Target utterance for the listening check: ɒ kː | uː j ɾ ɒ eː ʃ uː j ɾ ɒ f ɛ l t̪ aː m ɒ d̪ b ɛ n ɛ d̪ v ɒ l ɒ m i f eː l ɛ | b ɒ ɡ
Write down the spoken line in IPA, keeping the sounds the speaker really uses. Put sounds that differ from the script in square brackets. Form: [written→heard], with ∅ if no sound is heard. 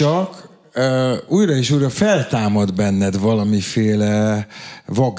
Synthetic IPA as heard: ɒ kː | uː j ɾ ɒ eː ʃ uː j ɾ ɒ f ɛ l t̪ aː m ɒ d̪ b ɛ [n→nː] ɛ d̪ v ɒ l ɒ m i f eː l ɛ | [b→v] ɒ ɡ